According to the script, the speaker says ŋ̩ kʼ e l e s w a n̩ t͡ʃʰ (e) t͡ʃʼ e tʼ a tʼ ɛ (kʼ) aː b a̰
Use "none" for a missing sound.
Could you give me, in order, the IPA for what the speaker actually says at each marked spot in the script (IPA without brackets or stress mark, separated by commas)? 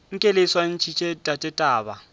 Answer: i, tʼ